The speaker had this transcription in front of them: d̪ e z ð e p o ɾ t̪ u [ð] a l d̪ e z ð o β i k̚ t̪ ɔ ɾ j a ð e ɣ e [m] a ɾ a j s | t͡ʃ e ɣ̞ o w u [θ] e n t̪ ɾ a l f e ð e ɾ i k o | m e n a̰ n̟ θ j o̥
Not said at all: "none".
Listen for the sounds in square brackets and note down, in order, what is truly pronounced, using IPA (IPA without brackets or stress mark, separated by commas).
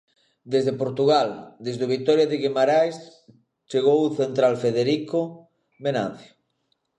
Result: ɣ, m, θ